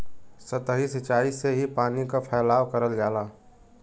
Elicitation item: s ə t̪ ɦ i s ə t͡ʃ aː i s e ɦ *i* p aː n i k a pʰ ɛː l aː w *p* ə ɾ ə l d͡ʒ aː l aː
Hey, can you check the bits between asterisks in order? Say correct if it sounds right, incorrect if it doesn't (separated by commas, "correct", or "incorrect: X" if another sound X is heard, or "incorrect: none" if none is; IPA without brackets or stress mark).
correct, incorrect: k